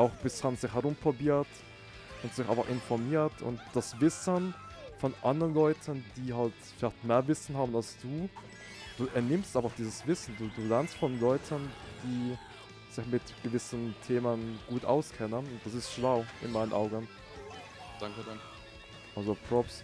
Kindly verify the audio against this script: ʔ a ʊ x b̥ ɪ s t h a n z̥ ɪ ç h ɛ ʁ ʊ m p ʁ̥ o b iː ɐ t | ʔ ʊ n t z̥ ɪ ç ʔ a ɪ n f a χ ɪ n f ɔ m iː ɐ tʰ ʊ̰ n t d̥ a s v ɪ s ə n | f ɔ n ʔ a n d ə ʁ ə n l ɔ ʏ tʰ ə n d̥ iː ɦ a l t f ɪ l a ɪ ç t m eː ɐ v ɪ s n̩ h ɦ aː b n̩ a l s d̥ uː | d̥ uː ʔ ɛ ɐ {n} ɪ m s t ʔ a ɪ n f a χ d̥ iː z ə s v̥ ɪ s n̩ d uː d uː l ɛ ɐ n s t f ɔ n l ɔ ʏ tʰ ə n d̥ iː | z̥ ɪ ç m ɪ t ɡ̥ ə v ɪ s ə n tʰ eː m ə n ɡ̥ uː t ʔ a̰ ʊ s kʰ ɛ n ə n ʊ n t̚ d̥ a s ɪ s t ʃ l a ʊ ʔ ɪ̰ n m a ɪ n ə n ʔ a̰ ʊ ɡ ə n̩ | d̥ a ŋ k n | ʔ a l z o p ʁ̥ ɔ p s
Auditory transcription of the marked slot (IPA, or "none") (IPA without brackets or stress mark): n